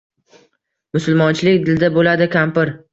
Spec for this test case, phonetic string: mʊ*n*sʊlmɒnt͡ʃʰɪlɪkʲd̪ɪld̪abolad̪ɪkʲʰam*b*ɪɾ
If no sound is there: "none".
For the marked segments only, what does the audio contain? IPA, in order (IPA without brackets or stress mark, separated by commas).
none, p